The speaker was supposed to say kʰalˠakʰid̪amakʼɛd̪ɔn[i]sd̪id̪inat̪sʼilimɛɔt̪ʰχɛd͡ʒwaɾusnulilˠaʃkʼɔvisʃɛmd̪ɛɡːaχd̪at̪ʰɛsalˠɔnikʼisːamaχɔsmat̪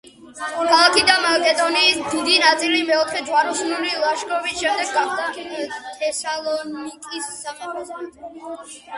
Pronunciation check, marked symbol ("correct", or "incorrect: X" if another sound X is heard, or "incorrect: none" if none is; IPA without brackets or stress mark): incorrect: iː